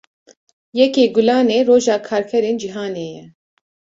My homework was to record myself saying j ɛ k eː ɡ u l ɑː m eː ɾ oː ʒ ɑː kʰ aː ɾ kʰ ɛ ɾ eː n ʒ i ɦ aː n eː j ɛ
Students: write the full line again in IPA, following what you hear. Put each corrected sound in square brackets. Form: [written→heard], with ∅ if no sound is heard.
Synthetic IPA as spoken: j ɛ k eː ɡ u l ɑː [m→n] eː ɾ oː ʒ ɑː kʰ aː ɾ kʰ ɛ ɾ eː n [ʒ→d͡ʒ] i ɦ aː n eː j ɛ